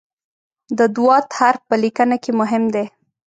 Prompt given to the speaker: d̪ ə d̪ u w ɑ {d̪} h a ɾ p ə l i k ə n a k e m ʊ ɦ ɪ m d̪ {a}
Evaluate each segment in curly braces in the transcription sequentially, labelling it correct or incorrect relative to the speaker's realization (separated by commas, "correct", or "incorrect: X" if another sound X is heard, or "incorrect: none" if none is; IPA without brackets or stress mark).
incorrect: t̪, incorrect: e